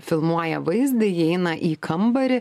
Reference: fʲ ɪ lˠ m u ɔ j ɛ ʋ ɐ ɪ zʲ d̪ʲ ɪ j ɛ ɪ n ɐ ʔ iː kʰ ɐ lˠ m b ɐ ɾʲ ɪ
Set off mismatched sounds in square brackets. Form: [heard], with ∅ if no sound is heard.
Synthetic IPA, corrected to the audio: fʲ ɪ lˠ m u ɔ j ɛ ʋ ɐ ɪ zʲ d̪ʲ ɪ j ɛ ɪ n ɐ ʔ iː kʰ ɐ [∅] m b ɐ ɾʲ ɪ